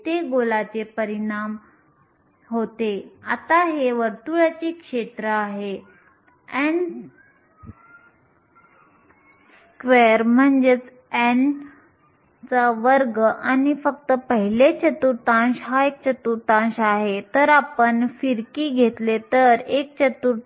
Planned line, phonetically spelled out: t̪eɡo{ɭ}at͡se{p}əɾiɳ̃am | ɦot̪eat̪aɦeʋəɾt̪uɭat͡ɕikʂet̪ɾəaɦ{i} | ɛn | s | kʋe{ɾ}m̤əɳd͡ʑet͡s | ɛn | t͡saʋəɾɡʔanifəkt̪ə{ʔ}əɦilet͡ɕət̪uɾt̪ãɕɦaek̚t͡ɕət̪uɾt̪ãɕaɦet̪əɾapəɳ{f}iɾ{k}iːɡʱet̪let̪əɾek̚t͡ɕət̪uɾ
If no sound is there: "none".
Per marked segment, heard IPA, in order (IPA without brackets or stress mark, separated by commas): l, p, e, ɾ, p, f, k